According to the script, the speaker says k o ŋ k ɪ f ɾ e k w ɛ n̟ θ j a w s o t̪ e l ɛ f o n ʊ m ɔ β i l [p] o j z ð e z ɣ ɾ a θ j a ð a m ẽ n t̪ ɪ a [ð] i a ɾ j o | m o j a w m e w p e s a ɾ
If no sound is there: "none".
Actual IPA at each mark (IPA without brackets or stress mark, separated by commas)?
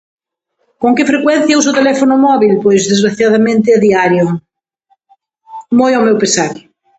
p, ð